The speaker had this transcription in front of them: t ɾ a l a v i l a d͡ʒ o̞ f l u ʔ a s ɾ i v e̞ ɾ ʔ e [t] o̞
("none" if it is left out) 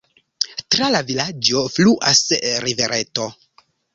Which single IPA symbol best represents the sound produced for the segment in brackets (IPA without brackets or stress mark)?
t